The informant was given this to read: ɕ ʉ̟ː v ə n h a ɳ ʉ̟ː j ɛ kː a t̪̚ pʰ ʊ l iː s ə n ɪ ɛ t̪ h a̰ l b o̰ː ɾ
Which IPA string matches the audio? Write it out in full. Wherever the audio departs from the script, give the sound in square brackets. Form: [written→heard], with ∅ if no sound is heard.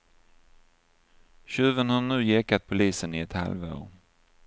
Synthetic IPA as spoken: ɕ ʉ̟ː v ə n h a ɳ ʉ̟ː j ɛ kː a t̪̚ pʰ ʊ l iː s ə n ɪ ɛ t̪ h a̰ l [b→v] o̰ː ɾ